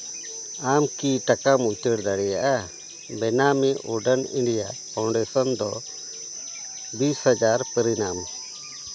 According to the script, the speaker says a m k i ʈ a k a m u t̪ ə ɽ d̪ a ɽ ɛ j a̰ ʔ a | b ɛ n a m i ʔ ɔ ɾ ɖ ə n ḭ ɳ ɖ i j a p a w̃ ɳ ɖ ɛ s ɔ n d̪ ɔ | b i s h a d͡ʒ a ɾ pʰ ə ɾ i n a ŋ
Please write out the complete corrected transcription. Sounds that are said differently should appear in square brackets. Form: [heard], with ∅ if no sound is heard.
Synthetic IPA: a m k i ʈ a k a m u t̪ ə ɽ d̪ a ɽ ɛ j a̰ ʔ a | b ɛ n a m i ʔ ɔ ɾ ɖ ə n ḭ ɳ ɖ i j a p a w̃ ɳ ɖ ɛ s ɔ n d̪ ɔ | b i s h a d͡ʒ a ɾ [p] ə ɾ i n a [m]